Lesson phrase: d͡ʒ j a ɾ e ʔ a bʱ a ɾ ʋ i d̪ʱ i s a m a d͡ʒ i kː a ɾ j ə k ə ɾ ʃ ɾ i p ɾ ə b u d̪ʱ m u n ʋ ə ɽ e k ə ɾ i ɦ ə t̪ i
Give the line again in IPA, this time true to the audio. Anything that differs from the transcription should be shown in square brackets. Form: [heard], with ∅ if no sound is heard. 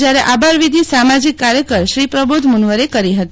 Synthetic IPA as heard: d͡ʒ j a ɾ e ʔ a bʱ a ɾ ʋ i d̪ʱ i s a m a d͡ʒ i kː a ɾ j ə k ə ɾ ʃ ɾ i p ɾ ə b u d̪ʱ m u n ʋ ə [ɾ] e k ə ɾ i ɦ ə t̪ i